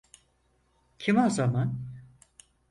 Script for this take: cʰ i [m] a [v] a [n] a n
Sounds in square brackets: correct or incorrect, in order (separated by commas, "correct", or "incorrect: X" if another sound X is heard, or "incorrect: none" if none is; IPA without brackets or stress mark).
correct, incorrect: z, incorrect: m